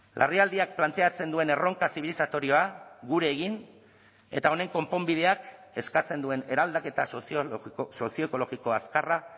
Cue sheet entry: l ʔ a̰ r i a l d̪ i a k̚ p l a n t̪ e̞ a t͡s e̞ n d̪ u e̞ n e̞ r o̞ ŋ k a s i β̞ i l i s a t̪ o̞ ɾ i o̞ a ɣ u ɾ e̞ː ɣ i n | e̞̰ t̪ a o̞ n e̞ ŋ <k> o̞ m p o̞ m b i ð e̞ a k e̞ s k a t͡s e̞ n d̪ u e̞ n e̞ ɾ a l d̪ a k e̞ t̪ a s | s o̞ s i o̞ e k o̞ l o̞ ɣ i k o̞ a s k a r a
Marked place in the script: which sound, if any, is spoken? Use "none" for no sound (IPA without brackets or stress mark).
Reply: k